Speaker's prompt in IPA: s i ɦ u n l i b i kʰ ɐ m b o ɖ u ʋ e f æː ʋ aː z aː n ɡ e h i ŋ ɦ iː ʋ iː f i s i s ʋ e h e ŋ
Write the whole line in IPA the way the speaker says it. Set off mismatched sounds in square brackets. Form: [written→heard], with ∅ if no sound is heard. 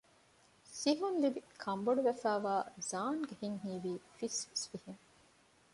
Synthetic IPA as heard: s i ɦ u n l i b i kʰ ɐ m b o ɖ u ʋ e f æː ʋ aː z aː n ɡ e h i ŋ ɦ iː ʋ iː f i s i s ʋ [e→i] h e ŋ